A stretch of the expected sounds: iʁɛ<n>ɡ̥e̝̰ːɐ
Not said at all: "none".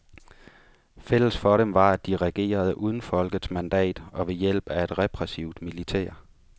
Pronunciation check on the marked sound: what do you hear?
none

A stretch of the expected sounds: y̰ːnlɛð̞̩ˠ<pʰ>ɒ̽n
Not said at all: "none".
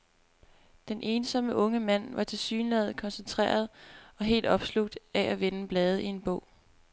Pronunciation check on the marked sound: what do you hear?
kʰ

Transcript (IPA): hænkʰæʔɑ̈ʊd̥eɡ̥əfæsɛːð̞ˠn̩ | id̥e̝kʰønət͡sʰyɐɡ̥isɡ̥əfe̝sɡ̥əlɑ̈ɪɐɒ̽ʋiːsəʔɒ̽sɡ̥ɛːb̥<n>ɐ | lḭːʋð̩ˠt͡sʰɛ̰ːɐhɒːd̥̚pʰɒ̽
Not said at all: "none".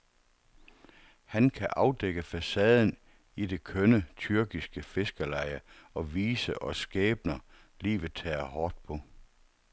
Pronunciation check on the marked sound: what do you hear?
n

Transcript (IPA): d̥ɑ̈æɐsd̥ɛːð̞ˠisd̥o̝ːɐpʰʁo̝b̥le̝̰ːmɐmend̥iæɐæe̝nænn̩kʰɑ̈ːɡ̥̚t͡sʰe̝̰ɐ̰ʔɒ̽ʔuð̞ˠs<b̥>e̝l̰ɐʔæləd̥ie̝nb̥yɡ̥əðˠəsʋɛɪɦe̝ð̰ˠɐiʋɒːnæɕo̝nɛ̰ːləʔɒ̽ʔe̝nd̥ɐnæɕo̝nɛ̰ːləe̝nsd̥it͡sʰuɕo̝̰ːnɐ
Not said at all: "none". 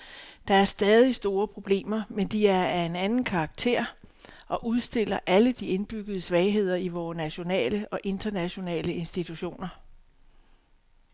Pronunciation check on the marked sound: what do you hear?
d̥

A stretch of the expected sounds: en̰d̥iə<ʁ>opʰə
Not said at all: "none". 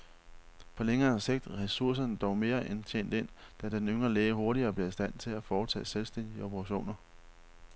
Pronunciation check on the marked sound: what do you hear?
none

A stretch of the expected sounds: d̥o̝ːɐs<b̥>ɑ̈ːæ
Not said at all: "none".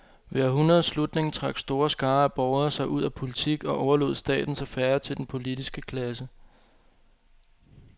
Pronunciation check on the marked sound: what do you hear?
ɡ̥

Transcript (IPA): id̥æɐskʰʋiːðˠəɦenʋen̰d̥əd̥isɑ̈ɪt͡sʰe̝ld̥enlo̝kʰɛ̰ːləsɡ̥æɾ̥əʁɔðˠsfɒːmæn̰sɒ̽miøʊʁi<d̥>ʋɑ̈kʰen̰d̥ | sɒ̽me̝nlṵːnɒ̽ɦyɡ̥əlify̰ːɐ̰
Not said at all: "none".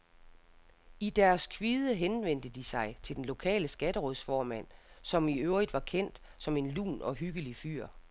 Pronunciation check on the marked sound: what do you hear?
d̥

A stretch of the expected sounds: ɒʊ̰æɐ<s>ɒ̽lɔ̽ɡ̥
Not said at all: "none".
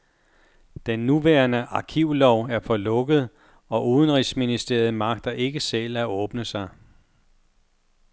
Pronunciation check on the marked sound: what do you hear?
f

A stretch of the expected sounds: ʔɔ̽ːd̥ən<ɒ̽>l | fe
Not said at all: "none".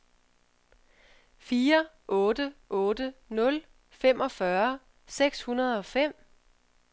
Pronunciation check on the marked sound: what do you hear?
ɔ̽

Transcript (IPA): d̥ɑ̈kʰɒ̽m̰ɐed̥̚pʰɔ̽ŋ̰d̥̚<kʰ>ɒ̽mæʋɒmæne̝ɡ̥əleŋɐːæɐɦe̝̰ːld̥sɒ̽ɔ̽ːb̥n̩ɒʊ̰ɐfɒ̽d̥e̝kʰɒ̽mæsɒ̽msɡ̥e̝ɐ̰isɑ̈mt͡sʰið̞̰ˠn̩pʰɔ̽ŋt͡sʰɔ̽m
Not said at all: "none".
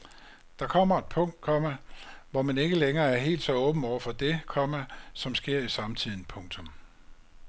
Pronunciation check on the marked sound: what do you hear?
kʰ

